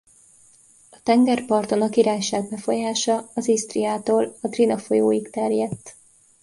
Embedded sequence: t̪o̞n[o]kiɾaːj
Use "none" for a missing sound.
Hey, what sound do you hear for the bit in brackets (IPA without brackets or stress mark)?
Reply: ɒ